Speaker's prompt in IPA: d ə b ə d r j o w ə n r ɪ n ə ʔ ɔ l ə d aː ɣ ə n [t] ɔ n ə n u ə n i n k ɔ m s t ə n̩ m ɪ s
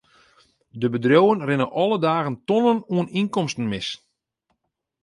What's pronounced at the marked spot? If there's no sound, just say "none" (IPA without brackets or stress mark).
t